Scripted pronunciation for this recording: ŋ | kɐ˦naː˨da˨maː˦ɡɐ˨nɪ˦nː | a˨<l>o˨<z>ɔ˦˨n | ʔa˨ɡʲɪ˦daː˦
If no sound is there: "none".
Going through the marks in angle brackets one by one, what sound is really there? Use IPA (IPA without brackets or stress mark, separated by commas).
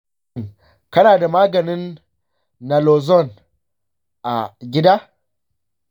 l, z